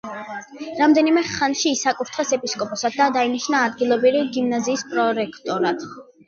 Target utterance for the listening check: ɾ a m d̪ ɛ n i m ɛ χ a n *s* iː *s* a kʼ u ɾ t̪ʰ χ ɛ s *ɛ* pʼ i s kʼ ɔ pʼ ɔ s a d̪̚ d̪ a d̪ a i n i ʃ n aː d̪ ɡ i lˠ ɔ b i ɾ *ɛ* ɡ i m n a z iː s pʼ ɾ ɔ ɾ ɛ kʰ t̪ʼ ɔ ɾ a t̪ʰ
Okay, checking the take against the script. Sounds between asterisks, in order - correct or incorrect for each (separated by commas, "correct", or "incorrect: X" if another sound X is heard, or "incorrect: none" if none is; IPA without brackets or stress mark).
incorrect: ʃ, correct, correct, incorrect: i